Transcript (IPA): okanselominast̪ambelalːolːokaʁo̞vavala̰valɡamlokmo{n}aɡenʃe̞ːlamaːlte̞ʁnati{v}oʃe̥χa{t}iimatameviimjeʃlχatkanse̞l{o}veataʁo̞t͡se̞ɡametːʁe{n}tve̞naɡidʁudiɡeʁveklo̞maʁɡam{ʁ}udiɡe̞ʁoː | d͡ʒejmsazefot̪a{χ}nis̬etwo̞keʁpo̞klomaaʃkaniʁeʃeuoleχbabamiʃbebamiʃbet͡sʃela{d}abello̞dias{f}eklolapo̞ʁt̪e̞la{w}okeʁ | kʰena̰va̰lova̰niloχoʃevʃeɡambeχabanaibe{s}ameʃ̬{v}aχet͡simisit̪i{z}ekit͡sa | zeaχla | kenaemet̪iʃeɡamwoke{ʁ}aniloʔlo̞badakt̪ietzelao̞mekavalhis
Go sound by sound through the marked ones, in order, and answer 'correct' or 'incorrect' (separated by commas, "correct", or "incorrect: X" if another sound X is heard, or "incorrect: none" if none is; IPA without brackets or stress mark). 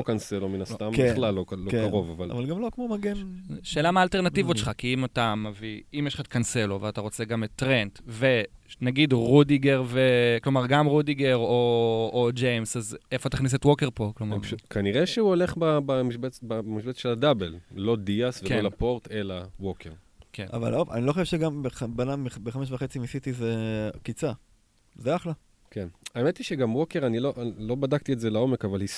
incorrect: m, correct, incorrect: k, correct, correct, correct, correct, correct, incorrect: v, correct, incorrect: χ, correct, correct, correct